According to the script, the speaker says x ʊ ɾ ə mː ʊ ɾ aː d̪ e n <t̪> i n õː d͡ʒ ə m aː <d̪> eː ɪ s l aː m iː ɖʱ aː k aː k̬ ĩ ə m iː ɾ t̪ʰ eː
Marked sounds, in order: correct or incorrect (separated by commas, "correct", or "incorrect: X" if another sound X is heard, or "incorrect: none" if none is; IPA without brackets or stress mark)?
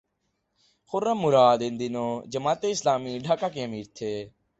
incorrect: d̪, incorrect: t̪